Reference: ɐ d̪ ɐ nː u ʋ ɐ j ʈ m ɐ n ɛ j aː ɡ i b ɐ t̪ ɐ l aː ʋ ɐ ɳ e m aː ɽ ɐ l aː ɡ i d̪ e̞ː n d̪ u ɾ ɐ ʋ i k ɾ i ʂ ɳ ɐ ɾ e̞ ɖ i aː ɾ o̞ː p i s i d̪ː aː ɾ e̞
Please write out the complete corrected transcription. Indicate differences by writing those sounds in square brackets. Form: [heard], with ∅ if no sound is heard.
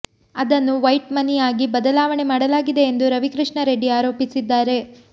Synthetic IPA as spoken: ɐ d̪ ɐ nː u ʋ ɐ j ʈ m ɐ n [i] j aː ɡ i b ɐ [d̪] ɐ l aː ʋ ɐ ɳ e m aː ɽ ɐ l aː ɡ i d̪ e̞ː n d̪ u ɾ ɐ ʋ i k ɾ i ʂ ɳ ɐ ɾ e̞ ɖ i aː ɾ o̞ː p i s i d̪ː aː ɾ e̞